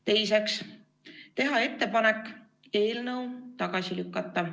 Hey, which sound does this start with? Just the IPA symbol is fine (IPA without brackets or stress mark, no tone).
t̪